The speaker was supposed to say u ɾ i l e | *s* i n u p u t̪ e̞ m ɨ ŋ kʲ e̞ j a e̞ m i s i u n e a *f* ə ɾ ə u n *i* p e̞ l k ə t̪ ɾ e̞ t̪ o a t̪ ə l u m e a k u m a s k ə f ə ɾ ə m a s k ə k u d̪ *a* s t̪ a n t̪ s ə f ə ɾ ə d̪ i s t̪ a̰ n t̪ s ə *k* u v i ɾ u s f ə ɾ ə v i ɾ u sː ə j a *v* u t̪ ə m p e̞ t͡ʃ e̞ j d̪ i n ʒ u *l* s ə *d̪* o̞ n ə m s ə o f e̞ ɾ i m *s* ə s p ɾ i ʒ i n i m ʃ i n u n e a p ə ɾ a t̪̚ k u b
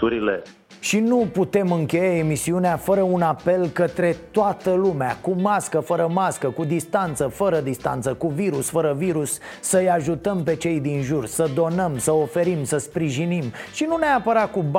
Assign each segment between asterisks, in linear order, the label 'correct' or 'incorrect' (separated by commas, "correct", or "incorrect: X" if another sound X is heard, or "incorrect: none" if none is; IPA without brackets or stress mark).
incorrect: ʃ, correct, incorrect: a, incorrect: i, correct, incorrect: ʒ, incorrect: r, correct, correct